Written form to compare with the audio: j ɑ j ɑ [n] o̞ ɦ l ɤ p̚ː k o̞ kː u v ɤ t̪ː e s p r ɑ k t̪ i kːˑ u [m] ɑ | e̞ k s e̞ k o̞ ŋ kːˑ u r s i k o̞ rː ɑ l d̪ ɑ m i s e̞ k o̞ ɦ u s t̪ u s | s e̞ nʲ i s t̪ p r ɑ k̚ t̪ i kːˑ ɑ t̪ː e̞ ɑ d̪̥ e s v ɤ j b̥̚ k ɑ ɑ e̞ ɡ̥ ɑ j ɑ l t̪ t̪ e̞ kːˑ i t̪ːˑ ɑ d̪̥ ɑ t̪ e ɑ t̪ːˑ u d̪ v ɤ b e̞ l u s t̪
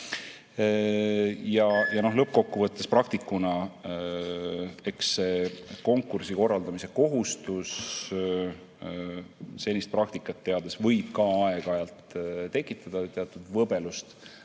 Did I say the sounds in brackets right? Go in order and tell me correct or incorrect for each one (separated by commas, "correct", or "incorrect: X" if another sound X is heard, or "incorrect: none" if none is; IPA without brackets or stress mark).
correct, incorrect: n